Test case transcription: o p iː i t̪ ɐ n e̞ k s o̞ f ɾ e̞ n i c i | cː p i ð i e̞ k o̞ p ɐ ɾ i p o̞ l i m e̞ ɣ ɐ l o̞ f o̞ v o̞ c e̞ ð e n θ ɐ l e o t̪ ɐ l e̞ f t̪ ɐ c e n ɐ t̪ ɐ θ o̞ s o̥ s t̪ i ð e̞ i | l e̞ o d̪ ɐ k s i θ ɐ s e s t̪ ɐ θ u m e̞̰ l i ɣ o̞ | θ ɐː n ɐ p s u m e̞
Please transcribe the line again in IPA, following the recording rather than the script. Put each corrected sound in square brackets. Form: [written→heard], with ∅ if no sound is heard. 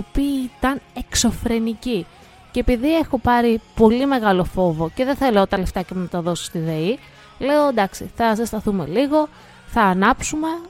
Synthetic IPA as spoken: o p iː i t̪ ɐ n e̞ k s o̞ f ɾ e̞ n i c i | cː p i ð i e̞ [k→x] o̞ p ɐ ɾ i p o̞ l i m e̞ ɣ ɐ l o̞ f o̞ v o̞ c e̞ ð e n θ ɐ l e o t̪ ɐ l e̞ f t̪ ɐ c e n ɐ t̪ ɐ [θ→ð] o̞ s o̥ s t̪ i ð e̞ i | l e̞ o d̪ ɐ k s i θ ɐ s e s t̪ ɐ θ u m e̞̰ l i ɣ o̞ | θ ɐː n ɐ p s u m e̞